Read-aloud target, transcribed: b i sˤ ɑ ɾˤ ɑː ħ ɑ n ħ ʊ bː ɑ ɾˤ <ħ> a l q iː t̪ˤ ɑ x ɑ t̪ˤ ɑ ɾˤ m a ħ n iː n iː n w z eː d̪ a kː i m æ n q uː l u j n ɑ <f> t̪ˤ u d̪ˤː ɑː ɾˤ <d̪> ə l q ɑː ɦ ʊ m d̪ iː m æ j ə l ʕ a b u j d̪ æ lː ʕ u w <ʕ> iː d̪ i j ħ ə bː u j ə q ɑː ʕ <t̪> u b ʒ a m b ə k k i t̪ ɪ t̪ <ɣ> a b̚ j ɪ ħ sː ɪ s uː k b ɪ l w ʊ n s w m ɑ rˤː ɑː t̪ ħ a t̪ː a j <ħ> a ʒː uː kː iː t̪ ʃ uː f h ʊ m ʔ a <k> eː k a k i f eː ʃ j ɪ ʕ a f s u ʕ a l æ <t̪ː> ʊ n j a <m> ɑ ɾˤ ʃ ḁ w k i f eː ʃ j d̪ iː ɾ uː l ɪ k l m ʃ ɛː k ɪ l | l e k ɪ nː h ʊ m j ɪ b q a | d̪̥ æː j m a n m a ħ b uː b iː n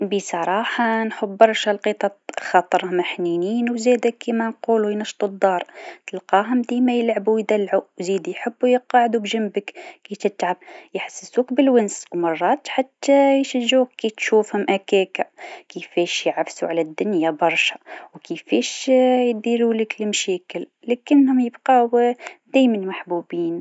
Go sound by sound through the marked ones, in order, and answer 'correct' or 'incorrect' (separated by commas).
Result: incorrect, incorrect, incorrect, incorrect, incorrect, incorrect, incorrect, correct, incorrect, incorrect